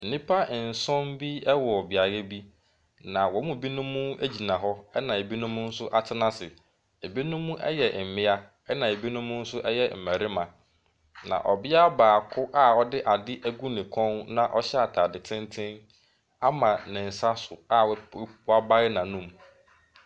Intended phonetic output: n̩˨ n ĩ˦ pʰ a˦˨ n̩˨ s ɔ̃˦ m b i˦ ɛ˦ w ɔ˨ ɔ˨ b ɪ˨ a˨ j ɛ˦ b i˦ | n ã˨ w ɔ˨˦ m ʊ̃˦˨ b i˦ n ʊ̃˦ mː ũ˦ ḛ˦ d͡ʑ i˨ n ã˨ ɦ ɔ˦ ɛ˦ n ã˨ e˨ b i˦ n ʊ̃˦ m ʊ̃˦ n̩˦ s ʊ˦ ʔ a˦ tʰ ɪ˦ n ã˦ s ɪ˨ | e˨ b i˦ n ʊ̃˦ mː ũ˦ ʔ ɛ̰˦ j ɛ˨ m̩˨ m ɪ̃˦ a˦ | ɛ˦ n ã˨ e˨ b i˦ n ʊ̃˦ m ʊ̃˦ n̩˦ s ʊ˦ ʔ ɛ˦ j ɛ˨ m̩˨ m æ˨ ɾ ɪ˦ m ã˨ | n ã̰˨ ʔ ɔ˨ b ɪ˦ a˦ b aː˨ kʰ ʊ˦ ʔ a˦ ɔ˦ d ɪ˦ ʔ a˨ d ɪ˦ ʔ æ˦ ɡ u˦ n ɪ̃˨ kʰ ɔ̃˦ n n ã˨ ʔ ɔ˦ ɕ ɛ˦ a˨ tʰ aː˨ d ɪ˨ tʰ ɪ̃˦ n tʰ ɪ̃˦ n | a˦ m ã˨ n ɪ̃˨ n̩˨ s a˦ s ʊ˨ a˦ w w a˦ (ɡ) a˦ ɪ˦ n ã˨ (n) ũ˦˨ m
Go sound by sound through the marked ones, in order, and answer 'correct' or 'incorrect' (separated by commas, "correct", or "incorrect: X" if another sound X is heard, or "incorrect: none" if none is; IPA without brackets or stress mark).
incorrect: b, correct